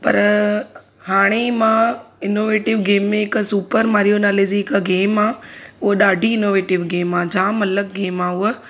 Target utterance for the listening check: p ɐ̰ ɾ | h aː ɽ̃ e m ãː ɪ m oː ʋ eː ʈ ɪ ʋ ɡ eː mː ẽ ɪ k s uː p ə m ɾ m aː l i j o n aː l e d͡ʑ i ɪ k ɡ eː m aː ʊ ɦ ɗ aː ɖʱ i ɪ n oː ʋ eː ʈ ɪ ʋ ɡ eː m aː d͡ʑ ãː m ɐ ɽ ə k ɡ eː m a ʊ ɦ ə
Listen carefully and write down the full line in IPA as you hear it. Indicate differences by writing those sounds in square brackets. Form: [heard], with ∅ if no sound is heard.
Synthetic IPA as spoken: p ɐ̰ ɾ | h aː ɽ̃ e m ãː ɪ [n] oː ʋ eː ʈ ɪ ʋ ɡ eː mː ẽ ɪ k s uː p ə [∅] ɾ m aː [ɾ] i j o n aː l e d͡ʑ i ɪ k ɡ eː m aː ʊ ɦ ɗ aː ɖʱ i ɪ n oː ʋ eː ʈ ɪ ʋ ɡ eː m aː d͡ʑ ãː m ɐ [l] ə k ɡ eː m a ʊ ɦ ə